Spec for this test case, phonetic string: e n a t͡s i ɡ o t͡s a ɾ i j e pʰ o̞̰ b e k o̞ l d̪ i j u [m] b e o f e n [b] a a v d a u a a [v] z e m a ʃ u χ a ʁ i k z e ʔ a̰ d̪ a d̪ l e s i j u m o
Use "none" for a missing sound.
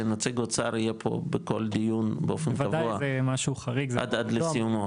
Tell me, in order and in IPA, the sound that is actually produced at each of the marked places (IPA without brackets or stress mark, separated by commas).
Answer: n, v, none